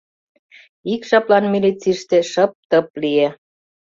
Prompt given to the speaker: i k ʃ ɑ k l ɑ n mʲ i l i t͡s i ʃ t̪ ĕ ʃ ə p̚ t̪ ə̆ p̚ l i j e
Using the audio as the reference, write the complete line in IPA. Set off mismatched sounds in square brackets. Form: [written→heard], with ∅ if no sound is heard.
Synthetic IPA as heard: i k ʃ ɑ [k→p] l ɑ n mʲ i l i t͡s i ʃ t̪ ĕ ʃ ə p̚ t̪ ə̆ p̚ l i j e